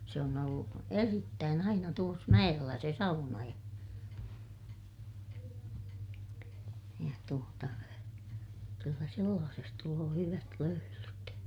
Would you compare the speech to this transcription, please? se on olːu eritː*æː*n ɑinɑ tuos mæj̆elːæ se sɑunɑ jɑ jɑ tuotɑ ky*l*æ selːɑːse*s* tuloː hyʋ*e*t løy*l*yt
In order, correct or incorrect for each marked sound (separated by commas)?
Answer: correct, incorrect, correct, incorrect, correct